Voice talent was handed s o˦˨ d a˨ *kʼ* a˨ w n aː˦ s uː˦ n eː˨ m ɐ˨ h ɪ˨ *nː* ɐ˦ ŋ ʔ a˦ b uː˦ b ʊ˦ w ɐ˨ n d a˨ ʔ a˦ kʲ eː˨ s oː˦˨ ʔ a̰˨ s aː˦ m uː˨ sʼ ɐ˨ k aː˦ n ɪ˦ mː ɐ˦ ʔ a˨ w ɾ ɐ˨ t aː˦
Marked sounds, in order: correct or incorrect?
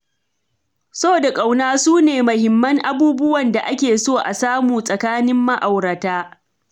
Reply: correct, incorrect

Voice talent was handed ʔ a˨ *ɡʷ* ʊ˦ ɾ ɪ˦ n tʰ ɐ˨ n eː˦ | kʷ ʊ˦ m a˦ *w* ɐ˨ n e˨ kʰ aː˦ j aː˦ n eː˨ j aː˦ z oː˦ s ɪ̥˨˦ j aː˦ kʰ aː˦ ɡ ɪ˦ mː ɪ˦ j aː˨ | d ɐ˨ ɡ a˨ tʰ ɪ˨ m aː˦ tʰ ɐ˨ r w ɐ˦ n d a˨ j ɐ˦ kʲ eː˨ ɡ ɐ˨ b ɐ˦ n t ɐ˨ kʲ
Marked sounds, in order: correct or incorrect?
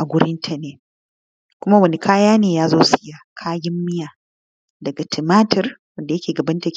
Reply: correct, correct

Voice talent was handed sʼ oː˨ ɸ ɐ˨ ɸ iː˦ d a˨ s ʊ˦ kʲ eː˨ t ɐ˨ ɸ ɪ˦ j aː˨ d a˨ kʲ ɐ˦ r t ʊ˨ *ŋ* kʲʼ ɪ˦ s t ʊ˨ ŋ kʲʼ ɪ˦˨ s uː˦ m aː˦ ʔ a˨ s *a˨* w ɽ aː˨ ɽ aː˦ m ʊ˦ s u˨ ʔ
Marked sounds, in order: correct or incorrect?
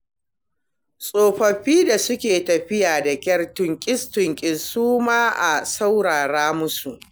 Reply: correct, incorrect

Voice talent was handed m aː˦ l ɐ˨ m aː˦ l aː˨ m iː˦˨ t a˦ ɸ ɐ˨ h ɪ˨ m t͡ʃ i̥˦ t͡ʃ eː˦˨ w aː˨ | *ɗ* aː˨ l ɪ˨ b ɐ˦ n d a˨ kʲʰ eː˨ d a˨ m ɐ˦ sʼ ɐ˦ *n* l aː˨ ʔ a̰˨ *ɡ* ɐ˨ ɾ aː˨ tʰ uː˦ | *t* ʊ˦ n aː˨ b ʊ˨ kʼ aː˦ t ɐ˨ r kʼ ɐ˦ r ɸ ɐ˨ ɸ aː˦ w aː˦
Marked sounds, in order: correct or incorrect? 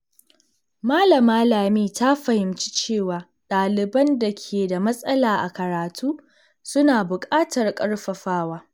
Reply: correct, incorrect, incorrect, incorrect

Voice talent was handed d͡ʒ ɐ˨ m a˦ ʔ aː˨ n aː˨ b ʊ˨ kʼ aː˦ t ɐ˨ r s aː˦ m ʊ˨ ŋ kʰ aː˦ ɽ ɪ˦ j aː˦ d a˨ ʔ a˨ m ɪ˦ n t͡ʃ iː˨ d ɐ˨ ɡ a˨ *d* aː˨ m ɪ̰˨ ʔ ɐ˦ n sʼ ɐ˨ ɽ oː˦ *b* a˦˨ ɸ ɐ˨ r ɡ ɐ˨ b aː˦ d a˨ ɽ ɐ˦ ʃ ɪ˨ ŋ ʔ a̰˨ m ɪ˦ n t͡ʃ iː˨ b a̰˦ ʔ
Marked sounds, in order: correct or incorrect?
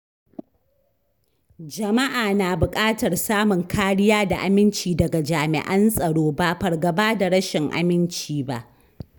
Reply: incorrect, correct

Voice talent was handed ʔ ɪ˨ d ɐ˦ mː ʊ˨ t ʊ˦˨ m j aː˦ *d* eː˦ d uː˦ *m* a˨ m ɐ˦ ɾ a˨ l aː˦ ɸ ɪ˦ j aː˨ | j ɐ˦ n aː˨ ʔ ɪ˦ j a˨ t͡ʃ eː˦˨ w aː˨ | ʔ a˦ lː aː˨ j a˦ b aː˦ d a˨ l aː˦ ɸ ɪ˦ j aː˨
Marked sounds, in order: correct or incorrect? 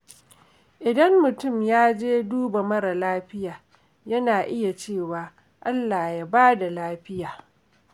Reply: incorrect, incorrect

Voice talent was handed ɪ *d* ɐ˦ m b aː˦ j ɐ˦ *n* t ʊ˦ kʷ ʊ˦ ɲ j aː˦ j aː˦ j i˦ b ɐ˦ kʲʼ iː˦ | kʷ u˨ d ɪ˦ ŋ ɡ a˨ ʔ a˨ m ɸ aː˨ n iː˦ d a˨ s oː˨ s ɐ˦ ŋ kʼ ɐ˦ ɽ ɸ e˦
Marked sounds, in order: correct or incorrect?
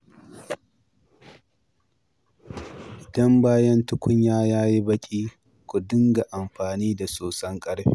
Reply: correct, correct

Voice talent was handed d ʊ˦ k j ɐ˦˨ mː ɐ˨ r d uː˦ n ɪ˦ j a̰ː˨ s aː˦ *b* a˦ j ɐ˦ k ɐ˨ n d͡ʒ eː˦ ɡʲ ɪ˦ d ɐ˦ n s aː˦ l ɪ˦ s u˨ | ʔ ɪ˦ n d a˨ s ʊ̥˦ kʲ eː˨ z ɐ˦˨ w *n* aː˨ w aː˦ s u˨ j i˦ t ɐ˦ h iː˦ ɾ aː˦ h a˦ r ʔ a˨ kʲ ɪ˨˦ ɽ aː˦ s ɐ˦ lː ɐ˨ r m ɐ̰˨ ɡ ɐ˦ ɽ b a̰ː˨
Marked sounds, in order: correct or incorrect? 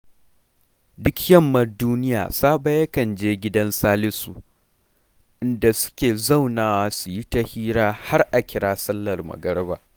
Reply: correct, correct

